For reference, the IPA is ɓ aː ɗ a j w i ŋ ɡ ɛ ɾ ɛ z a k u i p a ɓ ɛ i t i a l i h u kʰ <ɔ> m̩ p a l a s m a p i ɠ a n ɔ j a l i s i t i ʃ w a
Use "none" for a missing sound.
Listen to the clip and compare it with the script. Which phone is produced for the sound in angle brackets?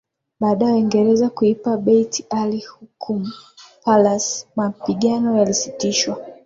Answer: u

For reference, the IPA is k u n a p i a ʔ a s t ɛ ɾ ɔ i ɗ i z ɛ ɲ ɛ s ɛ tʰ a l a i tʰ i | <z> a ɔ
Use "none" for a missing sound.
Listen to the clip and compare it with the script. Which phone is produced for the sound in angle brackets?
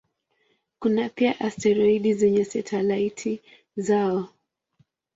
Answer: z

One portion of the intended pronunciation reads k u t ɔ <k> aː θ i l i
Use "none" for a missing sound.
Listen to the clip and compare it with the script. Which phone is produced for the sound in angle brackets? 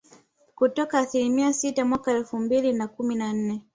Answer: k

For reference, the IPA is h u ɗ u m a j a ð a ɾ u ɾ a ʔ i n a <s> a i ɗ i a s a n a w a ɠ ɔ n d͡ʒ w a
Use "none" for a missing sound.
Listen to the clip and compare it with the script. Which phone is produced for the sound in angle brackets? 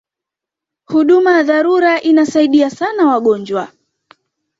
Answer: s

